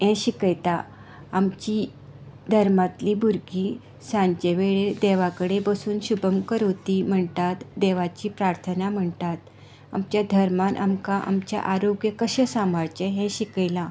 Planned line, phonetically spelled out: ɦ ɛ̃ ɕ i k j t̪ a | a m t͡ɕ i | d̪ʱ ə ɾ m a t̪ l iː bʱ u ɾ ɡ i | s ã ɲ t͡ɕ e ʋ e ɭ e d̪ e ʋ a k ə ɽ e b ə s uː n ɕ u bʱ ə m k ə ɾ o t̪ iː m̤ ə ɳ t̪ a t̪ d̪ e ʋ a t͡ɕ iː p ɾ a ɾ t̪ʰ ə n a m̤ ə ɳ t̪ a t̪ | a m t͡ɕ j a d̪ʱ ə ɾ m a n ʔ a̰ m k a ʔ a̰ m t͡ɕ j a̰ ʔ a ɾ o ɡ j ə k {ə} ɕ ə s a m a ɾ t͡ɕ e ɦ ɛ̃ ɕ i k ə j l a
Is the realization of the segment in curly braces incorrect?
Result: no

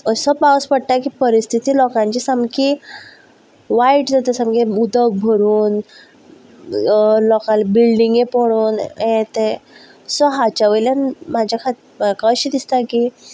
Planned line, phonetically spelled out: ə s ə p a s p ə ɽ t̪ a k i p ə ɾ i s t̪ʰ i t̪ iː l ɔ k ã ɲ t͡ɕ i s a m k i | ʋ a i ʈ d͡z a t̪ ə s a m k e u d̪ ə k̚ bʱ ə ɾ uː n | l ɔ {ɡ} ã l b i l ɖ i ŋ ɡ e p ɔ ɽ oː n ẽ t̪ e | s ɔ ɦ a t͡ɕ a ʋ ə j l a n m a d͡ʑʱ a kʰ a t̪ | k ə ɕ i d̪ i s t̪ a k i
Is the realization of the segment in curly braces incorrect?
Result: yes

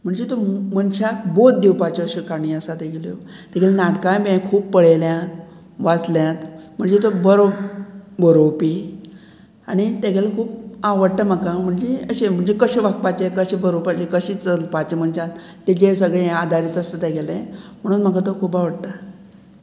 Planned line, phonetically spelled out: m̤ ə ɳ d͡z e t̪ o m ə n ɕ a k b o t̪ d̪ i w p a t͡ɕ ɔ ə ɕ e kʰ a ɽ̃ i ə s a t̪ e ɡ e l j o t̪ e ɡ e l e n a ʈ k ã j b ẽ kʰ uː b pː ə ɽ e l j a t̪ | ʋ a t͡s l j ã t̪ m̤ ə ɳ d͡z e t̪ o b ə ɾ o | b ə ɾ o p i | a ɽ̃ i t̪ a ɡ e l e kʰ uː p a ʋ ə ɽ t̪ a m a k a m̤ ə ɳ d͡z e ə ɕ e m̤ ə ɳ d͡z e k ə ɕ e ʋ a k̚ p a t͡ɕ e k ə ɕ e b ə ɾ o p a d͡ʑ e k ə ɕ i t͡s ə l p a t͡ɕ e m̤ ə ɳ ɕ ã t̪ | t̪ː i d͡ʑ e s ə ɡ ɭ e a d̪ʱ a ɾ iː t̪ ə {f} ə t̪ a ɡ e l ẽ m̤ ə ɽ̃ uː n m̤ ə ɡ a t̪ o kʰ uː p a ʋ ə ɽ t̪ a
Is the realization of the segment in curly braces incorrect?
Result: yes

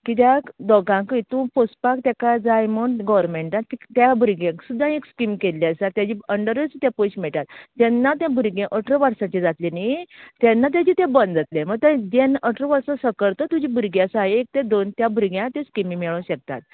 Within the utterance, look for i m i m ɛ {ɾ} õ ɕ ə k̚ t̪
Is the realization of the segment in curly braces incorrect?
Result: yes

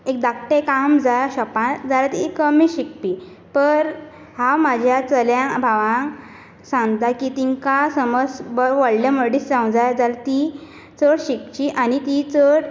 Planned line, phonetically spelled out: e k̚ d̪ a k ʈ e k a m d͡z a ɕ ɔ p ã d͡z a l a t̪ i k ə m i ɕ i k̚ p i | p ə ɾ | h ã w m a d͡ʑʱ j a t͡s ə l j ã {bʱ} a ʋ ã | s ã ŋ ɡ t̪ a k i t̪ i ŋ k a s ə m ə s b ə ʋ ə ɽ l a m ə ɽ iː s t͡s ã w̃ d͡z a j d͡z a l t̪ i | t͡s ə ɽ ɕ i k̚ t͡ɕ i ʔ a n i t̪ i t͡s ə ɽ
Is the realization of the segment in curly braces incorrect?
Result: no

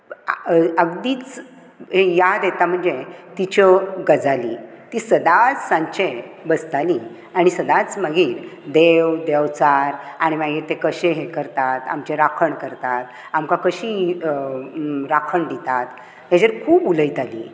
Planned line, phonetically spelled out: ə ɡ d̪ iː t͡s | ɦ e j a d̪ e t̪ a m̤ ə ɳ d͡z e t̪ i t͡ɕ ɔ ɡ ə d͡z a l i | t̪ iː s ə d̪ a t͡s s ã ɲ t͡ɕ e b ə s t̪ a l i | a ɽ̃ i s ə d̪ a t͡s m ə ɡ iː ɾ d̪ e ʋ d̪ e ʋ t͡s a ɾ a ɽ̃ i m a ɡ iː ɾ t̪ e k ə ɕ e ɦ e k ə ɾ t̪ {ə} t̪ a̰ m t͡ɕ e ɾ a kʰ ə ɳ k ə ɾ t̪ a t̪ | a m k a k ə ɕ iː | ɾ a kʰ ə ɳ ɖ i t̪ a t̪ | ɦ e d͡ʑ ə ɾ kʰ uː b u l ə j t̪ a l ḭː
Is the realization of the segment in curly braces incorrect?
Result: yes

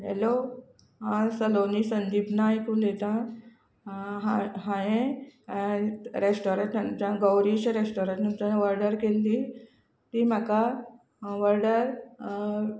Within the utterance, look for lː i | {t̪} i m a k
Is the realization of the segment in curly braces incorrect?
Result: no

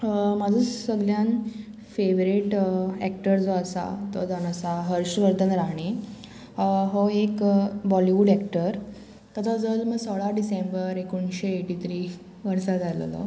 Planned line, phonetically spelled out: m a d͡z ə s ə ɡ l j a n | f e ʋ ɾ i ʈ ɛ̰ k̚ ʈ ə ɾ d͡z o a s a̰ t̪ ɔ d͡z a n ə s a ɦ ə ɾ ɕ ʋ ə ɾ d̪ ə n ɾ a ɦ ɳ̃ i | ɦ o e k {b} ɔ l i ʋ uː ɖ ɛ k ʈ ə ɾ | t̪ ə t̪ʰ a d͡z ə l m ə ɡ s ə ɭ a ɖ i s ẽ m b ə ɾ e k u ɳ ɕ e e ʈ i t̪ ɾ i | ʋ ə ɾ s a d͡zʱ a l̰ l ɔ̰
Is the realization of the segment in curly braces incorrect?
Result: no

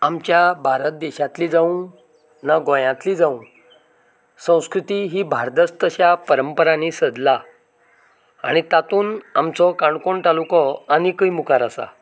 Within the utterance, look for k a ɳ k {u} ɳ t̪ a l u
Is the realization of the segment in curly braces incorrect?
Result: yes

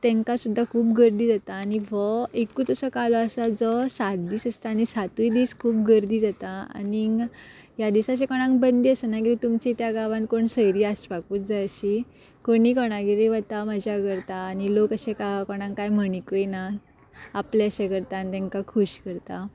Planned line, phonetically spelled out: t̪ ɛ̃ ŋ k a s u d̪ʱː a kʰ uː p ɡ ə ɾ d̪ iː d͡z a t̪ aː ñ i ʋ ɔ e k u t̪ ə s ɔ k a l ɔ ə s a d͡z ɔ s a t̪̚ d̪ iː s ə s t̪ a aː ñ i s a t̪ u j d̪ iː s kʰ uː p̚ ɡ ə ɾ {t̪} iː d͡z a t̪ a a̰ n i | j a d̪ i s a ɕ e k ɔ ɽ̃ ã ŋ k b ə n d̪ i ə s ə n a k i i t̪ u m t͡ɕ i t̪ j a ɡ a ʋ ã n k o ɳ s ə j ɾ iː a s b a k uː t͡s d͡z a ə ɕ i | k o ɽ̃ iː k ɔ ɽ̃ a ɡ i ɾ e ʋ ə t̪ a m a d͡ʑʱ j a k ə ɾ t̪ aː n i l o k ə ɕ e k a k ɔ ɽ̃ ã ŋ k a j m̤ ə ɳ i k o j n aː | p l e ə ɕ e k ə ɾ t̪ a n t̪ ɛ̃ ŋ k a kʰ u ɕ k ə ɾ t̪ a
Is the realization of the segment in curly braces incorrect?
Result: yes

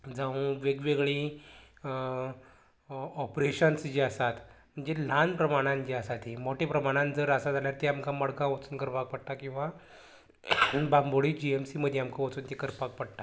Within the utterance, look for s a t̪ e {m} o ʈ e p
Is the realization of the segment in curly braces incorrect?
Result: no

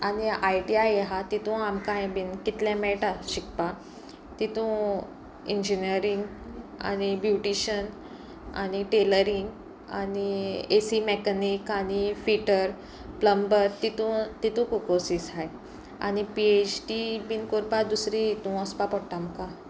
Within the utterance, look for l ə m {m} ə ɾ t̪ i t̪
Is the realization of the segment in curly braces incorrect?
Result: yes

